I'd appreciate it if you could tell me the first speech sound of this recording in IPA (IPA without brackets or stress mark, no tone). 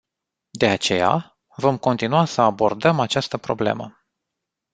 d̪